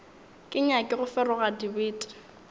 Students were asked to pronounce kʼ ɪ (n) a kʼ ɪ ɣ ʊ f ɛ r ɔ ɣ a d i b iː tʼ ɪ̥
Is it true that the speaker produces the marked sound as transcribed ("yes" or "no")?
no